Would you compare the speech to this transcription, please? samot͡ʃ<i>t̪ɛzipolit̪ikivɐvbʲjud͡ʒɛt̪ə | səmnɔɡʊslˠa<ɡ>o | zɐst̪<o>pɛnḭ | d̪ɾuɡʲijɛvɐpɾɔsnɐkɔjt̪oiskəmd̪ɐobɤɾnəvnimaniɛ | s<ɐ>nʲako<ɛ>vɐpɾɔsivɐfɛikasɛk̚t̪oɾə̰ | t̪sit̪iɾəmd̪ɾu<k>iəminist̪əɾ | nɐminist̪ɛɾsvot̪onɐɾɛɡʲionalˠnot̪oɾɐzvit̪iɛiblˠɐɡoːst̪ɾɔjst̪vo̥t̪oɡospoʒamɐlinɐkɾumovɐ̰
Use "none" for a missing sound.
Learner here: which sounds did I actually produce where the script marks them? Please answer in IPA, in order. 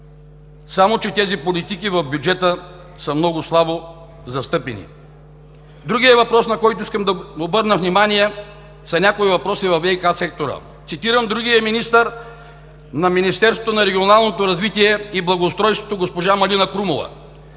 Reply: ɛ, b, ɤ, ɐ, i, ɡ

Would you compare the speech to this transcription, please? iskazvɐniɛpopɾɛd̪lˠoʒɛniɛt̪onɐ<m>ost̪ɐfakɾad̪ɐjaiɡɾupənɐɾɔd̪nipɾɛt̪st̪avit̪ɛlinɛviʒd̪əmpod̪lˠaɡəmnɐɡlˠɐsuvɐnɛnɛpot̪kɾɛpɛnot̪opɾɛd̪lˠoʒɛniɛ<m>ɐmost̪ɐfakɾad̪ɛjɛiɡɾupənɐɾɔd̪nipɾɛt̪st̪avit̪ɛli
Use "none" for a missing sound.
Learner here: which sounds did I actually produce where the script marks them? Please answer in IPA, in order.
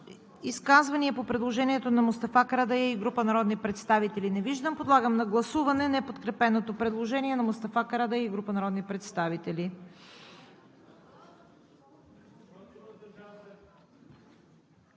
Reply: m, n

